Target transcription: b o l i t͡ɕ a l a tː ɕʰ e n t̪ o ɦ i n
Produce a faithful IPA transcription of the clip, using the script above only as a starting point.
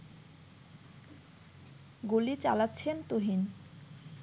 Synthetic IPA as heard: ɡ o l i t͡ɕ a l a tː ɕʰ e n t̪ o ɦ i n